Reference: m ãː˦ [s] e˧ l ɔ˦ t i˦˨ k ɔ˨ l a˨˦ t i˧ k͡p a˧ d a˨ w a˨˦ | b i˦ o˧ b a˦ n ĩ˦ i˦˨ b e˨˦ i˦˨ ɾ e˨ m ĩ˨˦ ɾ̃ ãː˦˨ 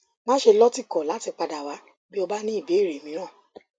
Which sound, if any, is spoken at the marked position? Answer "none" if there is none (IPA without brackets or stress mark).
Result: ʃ